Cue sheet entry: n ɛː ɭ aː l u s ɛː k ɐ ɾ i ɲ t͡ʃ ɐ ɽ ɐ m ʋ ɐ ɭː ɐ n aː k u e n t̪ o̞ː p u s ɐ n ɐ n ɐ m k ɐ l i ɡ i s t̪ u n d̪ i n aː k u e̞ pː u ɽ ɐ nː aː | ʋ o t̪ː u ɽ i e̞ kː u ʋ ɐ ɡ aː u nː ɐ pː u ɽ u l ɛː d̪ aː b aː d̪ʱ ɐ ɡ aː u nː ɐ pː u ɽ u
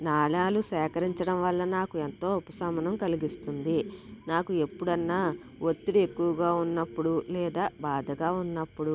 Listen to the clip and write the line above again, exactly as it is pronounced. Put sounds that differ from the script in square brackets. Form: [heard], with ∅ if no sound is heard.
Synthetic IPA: n [aː] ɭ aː l u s ɛː k ɐ ɾ i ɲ t͡ʃ ɐ ɽ ɐ m ʋ ɐ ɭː ɐ n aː k u e n t̪ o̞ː p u s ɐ [m] ɐ n ɐ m k ɐ l i ɡ i s t̪ u n d̪ i n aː k u e̞ pː u ɽ ɐ nː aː | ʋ o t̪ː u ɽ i e̞ kː u ʋ ɐ ɡ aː u nː ɐ pː u ɽ u l ɛː d̪ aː b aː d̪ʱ ɐ ɡ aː u nː ɐ pː u ɽ u

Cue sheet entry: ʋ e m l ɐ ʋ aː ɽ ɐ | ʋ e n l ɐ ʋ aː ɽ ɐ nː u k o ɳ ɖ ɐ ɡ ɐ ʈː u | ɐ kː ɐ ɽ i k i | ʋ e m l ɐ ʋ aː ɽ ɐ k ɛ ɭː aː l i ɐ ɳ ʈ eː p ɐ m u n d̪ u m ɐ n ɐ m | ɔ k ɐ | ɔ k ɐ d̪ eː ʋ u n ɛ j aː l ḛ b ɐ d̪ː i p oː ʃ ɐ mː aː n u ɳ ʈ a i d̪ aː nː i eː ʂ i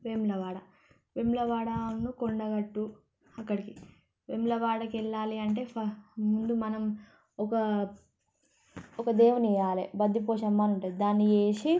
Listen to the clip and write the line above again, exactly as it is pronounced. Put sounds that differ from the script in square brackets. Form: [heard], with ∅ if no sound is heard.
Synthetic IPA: ʋ e m l ɐ ʋ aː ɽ ɐ | ʋ e [m] l ɐ ʋ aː ɽ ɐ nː u k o ɳ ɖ ɐ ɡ ɐ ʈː u | ɐ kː ɐ ɽ i k i | ʋ e m l ɐ ʋ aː ɽ ɐ k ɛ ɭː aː l i ɐ ɳ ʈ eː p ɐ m u n d̪ u m ɐ n ɐ m | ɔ k ɐ | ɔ k ɐ d̪ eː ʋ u n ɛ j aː l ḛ b ɐ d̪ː i p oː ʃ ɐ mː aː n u ɳ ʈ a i d̪ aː nː i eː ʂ i

